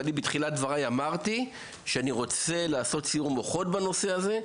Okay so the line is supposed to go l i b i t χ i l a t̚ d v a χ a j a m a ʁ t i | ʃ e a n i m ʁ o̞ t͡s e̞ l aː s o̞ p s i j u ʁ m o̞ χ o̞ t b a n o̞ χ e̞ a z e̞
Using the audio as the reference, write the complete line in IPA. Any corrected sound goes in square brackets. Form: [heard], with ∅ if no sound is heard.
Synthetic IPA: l i b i t χ i l a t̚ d v a [ʁ] a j a m a ʁ t i | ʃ e a n i [∅] ʁ o̞ t͡s e̞ l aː s o̞ [t] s i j u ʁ m o̞ χ o̞ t b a n o̞ [s] e̞ a z e̞